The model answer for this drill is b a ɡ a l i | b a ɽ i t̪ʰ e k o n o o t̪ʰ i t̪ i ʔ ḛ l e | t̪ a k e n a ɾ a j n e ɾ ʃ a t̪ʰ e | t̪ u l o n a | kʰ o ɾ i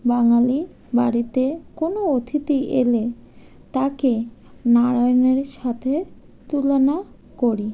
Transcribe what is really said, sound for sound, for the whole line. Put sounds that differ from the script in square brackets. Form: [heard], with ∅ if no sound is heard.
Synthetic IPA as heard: b a [ŋ] a l i | b a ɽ i [t̪] e k o n o o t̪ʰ i t̪ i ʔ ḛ l e | t̪ a k e n a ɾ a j n e ɾ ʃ a t̪ʰ e | t̪ u l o n a | [k] o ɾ i